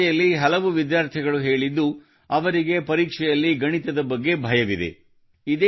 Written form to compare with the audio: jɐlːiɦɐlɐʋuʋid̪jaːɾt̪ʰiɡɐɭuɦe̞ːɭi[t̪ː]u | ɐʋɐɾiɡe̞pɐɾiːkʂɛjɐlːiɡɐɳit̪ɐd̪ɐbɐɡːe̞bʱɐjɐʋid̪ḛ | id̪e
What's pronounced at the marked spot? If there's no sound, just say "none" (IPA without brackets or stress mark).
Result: d̪ː